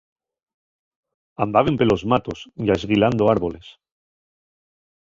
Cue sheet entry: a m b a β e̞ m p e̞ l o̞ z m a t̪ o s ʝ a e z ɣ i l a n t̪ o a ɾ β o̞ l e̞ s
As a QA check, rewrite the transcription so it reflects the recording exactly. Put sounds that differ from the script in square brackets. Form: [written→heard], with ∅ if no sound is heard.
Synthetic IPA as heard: a m b a β e̞ m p e̞ l o̞ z m a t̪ o s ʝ a e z ɣ i l a n [t̪→d̪] o a ɾ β o̞ l e̞ s